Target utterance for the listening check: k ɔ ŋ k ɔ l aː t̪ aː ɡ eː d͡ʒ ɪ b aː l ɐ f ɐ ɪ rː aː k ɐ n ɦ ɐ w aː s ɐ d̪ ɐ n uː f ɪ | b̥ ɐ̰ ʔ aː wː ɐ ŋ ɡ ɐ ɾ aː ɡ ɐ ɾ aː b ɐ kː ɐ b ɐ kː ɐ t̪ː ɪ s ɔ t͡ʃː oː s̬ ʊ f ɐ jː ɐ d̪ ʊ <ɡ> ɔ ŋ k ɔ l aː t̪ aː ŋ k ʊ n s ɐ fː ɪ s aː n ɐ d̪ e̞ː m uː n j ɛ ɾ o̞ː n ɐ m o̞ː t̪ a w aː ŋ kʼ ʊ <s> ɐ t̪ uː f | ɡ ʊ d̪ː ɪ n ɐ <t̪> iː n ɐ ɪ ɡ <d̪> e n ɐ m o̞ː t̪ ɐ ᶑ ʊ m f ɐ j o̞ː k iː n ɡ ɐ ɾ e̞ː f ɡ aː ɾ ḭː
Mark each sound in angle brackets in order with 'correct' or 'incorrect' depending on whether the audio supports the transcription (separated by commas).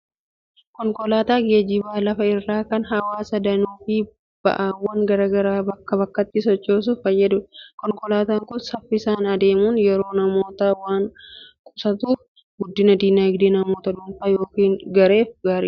incorrect, correct, incorrect, correct